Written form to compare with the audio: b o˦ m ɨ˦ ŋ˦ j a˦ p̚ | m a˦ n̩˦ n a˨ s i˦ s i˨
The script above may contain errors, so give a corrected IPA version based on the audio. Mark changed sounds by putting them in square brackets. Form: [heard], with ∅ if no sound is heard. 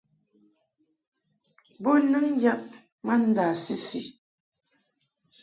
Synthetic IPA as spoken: b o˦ [n] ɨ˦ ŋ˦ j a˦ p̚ | m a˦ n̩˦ [d] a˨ s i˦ s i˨